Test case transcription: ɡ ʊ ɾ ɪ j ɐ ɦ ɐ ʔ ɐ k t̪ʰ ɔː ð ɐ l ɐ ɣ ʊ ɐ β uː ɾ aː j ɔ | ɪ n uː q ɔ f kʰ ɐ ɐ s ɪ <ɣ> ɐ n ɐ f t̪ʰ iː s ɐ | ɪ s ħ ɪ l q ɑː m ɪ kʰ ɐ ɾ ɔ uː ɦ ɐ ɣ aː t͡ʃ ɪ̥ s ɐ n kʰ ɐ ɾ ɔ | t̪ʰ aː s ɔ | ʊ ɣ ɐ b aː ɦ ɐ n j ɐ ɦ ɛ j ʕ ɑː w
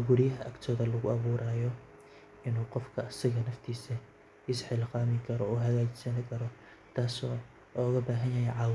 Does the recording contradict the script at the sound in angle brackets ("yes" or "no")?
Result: no